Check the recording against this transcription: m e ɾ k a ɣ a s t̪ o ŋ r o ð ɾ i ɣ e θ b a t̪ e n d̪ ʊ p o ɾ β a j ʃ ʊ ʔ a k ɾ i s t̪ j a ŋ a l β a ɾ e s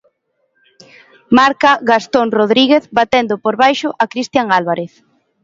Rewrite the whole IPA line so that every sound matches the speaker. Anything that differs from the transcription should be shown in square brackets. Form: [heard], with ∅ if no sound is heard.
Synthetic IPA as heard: m [a] ɾ k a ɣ a s t̪ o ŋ r o ð ɾ i ɣ e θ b a t̪ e n d̪ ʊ p o ɾ β a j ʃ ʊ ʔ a k ɾ i s t̪ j a ŋ a l β a ɾ e [θ]